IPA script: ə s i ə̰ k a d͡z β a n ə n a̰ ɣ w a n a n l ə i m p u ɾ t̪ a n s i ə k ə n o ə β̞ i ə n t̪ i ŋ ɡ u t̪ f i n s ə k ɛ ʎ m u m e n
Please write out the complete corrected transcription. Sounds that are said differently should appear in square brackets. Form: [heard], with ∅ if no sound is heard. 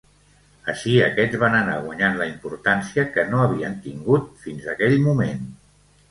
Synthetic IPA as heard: ə [ʃ] i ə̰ k [ɛ] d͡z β a n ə n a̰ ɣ w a [ɲ] a n l ə i m p u ɾ t̪ a n s i ə k ə n o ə β̞ i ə n t̪ i ŋ ɡ u t̪ f i n [z] ə k ɛ ʎ m u m e n

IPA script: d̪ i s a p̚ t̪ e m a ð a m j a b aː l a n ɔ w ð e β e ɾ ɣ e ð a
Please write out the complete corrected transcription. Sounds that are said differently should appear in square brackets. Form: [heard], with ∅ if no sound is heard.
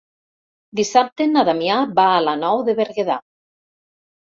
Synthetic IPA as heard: d̪ i s a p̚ t̪ e [n] a ð a m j a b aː l a n ɔ w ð e β e ɾ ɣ e ð a

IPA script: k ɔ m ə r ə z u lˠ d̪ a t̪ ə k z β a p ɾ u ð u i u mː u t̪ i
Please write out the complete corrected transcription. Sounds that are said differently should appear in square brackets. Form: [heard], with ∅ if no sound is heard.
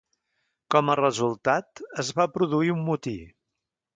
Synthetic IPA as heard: k ɔ m ə r ə z u lˠ [t̪] a t̪ ə [∅] z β a p ɾ u ð u i u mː u t̪ i

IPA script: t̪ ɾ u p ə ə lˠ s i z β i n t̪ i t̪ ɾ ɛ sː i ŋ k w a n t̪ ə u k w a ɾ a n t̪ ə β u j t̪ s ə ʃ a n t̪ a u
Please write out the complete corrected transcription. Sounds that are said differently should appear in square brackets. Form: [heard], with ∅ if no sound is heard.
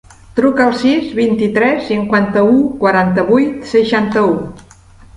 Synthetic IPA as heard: t̪ ɾ u [k] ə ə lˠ s i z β i n t̪ i t̪ ɾ ɛ sː i ŋ k w a n t̪ ə u k w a ɾ a n t̪ ə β u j t̪ s ə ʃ a n t̪ [ə] u

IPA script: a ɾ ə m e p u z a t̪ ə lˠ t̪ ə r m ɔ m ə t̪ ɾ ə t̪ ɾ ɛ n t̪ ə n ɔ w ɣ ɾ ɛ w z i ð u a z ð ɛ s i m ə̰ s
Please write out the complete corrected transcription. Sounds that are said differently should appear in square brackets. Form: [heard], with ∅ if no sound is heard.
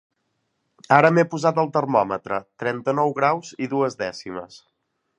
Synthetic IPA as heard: a ɾ ə m e p u z a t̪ ə lˠ t̪ ə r m ɔ m ə t̪ ɾ ə t̪ ɾ ɛ n t̪ ə n ɔ w ɣ ɾ [a] w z i ð u [ə] z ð ɛ s i m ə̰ s

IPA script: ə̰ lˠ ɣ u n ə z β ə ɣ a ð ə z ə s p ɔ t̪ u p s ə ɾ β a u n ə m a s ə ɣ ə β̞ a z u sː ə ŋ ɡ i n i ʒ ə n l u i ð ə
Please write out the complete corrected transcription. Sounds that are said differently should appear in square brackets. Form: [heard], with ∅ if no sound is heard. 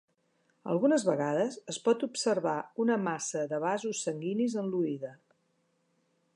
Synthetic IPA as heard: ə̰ lˠ ɣ u n ə z β ə ɣ a ð ə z ə s p ɔ t̪ u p s ə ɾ β a u n ə m a s ə [ð] ə β̞ a z u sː ə ŋ ɡ i n i [z] ə n l u i ð ə

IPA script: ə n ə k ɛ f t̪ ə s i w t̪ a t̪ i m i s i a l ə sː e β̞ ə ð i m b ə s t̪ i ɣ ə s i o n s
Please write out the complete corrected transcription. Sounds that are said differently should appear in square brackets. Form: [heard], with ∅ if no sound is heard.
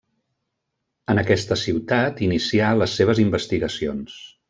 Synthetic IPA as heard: ə n ə k ɛ [s] t̪ ə s i w t̪ a t̪ i [n] i s i a l ə sː e β̞ ə [z] i m b ə s t̪ i ɣ ə s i o n s

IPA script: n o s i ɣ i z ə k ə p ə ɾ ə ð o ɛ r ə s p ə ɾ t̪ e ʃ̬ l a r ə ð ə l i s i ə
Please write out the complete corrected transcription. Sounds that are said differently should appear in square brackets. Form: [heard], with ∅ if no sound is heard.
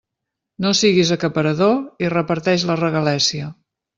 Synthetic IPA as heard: n o s i ɣ i z ə k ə p ə ɾ ə ð o [i] r ə [∅] p ə ɾ t̪ [ɛ] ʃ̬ l [ə] r ə [ɣ] ə l [ɛ] s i ə

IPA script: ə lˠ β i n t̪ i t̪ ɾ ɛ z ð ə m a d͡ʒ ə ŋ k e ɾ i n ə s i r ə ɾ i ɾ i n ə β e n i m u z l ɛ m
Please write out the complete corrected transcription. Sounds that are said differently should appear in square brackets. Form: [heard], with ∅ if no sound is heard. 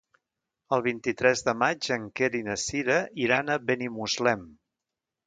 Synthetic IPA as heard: ə lˠ β i n t̪ i t̪ ɾ ɛ z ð ə m a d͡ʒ ə ŋ k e ɾ i n ə s i [ɾ] ə [∅] i ɾ [a] n ə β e n i m u z l ɛ m

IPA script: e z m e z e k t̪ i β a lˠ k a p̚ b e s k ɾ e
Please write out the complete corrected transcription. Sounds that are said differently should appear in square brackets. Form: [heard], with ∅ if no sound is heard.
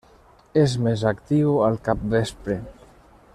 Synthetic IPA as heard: e z m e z [a] k t̪ i [w] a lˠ k a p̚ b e s [p] ɾ e

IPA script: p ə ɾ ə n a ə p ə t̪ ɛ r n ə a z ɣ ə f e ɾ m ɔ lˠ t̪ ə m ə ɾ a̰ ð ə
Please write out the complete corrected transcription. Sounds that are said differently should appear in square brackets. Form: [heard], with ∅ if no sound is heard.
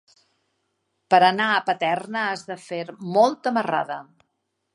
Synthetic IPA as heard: p ə ɾ ə n a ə p ə t̪ ɛ r n ə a z [ð] ə f e ɾ m ɔ lˠ t̪ ə m ə [r] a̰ ð ə

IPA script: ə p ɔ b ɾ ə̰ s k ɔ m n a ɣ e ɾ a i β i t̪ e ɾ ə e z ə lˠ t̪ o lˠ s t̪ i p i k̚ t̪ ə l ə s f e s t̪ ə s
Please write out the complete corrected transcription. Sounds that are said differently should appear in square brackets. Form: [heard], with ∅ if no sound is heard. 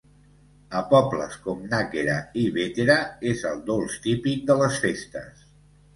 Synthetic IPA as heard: ə p ɔ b [l] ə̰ s k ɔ m n a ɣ e ɾ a i β [e] t̪ e ɾ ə e z ə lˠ [d̪] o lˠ s t̪ i p i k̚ [d̪] ə l ə s f e s t̪ ə s

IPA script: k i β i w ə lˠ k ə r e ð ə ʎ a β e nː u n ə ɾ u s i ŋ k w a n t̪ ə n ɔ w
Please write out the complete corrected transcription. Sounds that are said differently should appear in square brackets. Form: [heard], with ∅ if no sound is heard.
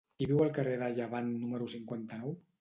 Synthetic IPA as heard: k i β i w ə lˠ k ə r e ð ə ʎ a β [a] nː u [m] ə ɾ u s i ŋ k w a n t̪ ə n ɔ w

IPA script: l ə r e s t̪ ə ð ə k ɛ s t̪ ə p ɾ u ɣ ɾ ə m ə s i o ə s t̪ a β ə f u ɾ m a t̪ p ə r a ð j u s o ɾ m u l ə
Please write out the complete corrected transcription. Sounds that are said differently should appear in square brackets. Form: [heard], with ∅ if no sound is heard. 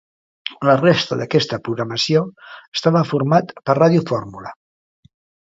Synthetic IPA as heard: l ə r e s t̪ ə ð ə k ɛ s t̪ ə p ɾ u ɣ ɾ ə m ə s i o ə s t̪ a β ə f u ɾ m a t̪ p ə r a ð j u [f] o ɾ m u l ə

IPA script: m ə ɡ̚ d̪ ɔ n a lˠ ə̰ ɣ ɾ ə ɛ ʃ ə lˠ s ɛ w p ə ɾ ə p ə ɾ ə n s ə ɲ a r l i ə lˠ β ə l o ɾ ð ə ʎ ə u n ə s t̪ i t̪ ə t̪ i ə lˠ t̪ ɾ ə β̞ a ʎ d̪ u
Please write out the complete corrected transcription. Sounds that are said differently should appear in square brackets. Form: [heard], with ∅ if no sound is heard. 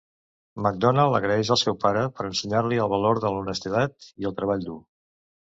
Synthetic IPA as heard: m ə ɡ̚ d̪ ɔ n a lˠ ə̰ ɣ ɾ ə ɛ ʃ ə lˠ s ɛ w p [a] ɾ ə p ə ɾ ə n s ə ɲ a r l i ə lˠ β ə l o ɾ ð ə [l] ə u n ə s t̪ i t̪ [a] t̪ i ə lˠ t̪ ɾ ə β̞ a ʎ d̪ u

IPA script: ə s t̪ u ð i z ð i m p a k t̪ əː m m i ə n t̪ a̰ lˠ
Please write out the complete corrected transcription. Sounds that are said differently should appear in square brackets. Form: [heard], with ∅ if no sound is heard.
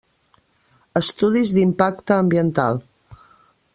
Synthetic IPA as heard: ə s t̪ u ð i z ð i m p a k t̪ əː m [b] i ə n t̪ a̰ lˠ

